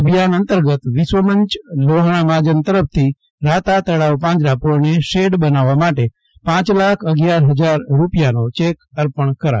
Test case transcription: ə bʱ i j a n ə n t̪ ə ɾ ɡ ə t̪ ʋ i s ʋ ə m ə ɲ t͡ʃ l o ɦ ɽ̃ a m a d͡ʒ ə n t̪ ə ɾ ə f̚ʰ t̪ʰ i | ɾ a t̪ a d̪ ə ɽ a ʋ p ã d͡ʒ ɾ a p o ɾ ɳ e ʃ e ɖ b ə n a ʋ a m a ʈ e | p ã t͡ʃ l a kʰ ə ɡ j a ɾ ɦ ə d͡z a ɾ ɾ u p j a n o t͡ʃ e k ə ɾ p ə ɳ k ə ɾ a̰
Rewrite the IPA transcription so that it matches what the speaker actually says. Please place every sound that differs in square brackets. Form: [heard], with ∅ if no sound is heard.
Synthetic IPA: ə bʱ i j a n ə n t̪ ə ɾ ɡ ə t̪ ʋ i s ʋ ə m ə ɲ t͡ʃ l o ɦ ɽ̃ a m a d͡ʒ ə n t̪ ə ɾ ə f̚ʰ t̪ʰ i | ɾ a t̪ a [t̪] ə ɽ a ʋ p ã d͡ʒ ɾ a p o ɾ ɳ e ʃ e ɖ b ə n a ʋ a m a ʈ e | p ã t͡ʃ l a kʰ ə ɡ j a ɾ ɦ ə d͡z a ɾ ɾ u p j a n o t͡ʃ e k ə ɾ p ə ɳ k ə ɾ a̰